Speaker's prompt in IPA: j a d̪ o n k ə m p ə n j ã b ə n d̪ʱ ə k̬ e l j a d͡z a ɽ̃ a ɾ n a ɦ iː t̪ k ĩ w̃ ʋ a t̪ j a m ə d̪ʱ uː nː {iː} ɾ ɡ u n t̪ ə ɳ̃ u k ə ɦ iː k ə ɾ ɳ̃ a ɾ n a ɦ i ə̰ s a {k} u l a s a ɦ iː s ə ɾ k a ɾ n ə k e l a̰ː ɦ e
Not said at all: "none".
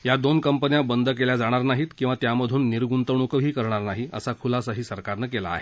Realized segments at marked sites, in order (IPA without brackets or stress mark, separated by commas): i, kʰ